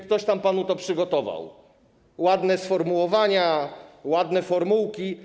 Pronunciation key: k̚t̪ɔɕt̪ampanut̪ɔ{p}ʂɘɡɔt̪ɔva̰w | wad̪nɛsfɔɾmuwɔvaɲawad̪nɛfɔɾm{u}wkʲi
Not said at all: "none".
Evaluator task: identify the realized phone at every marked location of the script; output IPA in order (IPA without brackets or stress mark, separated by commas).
p, u